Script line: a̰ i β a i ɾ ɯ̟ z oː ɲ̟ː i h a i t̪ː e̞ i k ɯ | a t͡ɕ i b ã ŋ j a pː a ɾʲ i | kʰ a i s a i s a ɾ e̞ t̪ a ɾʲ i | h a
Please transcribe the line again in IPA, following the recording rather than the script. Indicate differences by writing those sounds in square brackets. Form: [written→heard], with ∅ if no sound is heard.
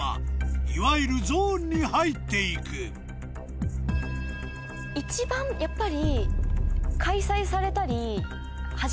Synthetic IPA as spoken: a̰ i β a i ɾ ɯ̟ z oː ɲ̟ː i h a i t̪ː e̞ i k ɯ | [a→i] t͡ɕ i b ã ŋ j a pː a ɾʲ i | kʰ a i s a i s a ɾ e̞ t̪ a ɾʲ i | h a